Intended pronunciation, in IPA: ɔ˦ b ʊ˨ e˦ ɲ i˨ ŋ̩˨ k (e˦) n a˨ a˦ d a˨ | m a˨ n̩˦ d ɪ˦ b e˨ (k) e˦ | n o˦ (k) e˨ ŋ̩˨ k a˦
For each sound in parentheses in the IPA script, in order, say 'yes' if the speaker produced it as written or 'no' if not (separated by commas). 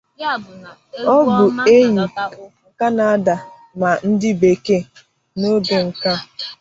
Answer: no, yes, no